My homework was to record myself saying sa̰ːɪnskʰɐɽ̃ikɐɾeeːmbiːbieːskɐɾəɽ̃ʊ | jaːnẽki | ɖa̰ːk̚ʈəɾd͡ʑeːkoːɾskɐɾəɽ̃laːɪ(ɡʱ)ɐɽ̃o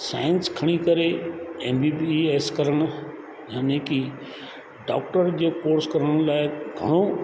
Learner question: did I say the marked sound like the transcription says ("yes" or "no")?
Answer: yes